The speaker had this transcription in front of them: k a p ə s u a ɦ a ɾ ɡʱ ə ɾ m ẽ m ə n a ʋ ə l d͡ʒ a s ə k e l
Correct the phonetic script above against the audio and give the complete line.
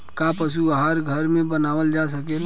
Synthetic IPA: k a p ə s u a ɦ a ɾ ɡʱ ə ɾ m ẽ b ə n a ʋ ə l d͡ʒ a s ə k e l